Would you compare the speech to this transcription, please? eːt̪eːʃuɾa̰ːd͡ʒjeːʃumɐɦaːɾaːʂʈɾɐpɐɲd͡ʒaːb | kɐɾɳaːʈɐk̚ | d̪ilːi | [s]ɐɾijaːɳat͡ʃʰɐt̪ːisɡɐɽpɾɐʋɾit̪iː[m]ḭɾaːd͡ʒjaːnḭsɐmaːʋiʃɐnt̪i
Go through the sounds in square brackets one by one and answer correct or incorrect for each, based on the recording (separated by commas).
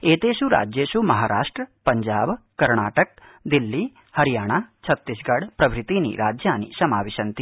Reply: incorrect, incorrect